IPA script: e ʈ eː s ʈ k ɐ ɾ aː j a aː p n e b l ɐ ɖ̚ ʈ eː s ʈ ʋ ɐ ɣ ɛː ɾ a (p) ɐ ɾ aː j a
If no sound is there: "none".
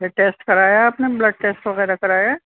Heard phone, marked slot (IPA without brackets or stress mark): k